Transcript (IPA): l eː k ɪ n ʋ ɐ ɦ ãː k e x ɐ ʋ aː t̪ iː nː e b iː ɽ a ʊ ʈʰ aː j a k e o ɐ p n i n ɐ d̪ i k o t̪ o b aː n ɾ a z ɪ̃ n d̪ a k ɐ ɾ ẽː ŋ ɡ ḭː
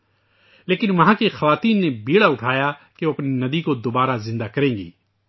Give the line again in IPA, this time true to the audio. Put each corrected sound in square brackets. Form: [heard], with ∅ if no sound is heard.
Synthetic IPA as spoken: l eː k ɪ n ʋ ɐ ɦ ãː k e x ɐ ʋ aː t̪ iː nː e b iː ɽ a ʊ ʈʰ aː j a k e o ɐ p n i n ɐ d̪ i k o [d̪] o b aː [∅] ɾ a z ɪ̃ n d̪ a k ɐ ɾ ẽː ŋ ɡ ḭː